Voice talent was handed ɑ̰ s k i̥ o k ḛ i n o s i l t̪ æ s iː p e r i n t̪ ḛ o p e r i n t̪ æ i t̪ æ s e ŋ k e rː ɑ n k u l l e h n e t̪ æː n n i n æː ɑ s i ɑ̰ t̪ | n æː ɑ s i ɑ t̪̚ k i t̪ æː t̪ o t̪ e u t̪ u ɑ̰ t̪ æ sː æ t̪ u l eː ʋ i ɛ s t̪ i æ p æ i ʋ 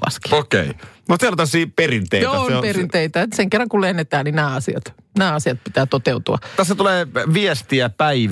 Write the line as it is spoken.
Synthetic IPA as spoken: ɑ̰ s k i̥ o k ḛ i n o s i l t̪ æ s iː p e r i n t̪ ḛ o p e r i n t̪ e i t̪ æ s e ŋ k e rː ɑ ŋ k u l l e h n e t̪ æː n n i n æː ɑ s i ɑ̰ t̪ | n æː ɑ s i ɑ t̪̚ p i t̪ æː t̪ o t̪ e u t̪ u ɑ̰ t̪ æ sː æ t̪ u l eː ʋ i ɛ s t̪ i æ p æ i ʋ